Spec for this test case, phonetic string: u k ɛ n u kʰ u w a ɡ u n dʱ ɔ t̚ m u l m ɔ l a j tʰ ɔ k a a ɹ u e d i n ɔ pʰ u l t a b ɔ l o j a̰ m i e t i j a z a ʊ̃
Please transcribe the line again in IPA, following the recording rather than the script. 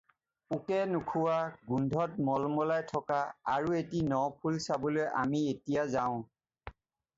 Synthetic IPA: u k ɛ n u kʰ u w a ɡ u n dʱ ɔ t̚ m ɔ l m ɔ l a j tʰ ɔ k a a ɹ u e t i n ɔ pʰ u l s a b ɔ l o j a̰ m i e t i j a z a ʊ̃